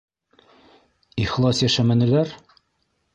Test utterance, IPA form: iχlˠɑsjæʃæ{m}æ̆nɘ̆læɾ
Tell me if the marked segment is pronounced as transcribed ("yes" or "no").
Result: yes